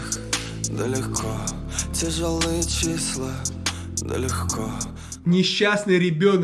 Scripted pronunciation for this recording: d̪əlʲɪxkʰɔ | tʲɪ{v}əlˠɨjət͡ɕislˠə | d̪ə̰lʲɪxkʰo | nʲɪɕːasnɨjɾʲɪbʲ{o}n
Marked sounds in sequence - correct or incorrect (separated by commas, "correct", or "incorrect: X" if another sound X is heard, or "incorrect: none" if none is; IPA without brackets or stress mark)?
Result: incorrect: ʐ, correct